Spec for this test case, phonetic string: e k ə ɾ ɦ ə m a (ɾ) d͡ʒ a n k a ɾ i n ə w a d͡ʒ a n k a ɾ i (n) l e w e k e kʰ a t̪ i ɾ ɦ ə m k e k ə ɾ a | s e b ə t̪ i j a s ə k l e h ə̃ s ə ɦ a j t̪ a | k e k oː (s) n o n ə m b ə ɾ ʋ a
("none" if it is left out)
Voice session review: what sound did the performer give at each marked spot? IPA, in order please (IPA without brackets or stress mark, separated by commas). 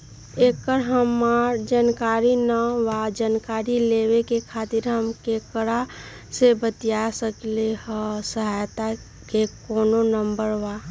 ɾ, none, none